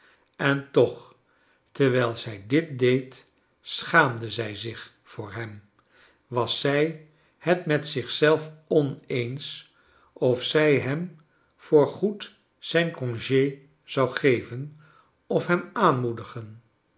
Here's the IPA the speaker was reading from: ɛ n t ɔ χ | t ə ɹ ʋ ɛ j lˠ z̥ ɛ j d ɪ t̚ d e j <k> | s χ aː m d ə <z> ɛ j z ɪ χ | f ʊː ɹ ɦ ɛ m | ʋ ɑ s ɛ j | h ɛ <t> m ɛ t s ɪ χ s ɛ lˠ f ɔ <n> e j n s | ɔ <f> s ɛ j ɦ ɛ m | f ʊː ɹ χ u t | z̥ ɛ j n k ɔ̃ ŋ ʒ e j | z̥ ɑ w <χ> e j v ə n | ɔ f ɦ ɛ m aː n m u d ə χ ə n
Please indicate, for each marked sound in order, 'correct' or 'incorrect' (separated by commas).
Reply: incorrect, correct, correct, correct, correct, correct